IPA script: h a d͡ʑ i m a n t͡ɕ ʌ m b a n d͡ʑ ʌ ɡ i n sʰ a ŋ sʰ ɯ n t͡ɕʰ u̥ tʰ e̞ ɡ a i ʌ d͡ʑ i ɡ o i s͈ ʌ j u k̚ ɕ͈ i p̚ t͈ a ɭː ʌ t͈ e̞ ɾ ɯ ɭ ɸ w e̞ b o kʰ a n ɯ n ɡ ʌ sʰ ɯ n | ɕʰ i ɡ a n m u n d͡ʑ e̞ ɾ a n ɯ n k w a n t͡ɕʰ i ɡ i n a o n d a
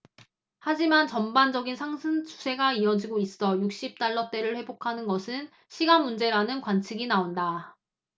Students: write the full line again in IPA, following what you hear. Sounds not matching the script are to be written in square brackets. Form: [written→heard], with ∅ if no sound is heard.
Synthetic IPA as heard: h a d͡ʑ i m a n t͡ɕ ʌ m b a n d͡ʑ ʌ ɡ i n sʰ a ŋ sʰ ɯ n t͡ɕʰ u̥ [tʰ→sʰ] e̞ ɡ a i ʌ d͡ʑ i ɡ o i s͈ ʌ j u k̚ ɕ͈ i p̚ t͈ a ɭː ʌ t͈ e̞ ɾ ɯ ɭ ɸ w e̞ b o kʰ a n ɯ n ɡ ʌ sʰ ɯ n | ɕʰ i ɡ a n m u n d͡ʑ e̞ ɾ a n ɯ n k w a n t͡ɕʰ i ɡ i n a o n d a